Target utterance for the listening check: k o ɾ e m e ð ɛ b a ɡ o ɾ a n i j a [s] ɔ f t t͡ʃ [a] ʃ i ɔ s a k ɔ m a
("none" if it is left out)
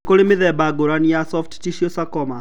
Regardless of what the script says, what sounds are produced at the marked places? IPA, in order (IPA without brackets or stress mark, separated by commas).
s, i